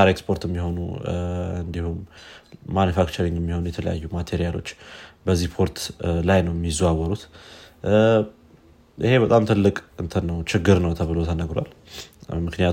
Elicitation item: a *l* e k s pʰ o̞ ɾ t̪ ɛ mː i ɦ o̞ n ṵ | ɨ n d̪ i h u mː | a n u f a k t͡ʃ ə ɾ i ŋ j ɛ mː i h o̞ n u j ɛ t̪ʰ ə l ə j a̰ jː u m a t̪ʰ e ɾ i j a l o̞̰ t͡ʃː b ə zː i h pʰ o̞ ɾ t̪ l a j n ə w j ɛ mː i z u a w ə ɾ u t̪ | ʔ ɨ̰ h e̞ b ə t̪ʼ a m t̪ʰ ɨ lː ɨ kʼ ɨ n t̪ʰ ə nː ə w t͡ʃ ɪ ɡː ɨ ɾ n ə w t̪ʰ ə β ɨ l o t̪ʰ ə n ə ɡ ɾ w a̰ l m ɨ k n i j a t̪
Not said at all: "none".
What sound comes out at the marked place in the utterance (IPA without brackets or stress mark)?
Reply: ɾ